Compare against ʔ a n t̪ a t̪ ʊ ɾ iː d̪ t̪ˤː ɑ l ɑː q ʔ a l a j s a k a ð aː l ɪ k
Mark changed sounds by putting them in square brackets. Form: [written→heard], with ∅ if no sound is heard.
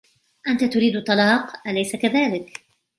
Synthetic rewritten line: ʔ a n t̪ a t̪ ʊ ɾ iː d̪ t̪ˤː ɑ l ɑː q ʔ a l a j s a k a ð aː l ɪ k